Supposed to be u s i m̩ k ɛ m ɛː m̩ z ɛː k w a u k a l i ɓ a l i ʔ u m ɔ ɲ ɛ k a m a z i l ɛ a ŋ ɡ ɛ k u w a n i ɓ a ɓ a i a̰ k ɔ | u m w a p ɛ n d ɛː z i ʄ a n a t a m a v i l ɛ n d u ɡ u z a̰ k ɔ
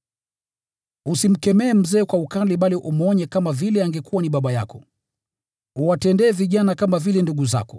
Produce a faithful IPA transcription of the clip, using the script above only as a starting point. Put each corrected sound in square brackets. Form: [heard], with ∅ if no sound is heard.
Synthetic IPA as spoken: u s i m̩ k ɛ m ɛː m̩ z ɛː k w a u k a l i ɓ a l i ʔ u m ɔ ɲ ɛ k a m a [v] i l ɛ a ŋ ɡ ɛ k u w a n i ɓ a ɓ a [j] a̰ k ɔ | u [∅] w a [t] ɛ n d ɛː [v] i ʄ a n a [k] a m a v i l ɛ n d u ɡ u z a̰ k ɔ